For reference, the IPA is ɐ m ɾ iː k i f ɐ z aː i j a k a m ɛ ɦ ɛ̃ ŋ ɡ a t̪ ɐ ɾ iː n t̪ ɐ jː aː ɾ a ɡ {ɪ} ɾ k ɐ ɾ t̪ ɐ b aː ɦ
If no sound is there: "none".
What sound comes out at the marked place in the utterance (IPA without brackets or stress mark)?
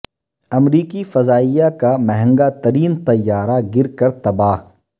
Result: ɪ